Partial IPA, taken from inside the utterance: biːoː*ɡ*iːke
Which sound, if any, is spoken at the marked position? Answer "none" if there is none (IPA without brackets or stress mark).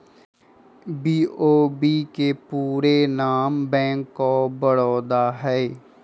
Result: b